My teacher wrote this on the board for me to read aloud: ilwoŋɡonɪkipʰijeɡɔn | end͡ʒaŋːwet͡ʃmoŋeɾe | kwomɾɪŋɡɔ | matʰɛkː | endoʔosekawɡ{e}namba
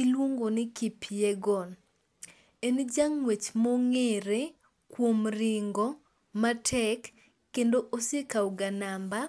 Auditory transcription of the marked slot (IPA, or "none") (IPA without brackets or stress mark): a